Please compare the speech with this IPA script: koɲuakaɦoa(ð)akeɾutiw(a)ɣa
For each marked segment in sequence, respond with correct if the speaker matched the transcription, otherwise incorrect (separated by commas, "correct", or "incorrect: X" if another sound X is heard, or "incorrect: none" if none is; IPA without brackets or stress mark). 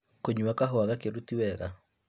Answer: incorrect: ɣ, incorrect: ɛ